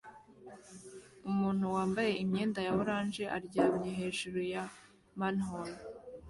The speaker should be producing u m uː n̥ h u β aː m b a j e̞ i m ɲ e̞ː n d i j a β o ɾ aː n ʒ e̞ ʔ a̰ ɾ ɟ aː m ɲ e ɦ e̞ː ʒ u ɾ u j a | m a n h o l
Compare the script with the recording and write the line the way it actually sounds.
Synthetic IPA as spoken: u m uː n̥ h u w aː m b a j e̞ i m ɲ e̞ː n d a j a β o ɾ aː n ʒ e̞ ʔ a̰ ɾ ɟ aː m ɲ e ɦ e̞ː ʒ u ɾ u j a | m a n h o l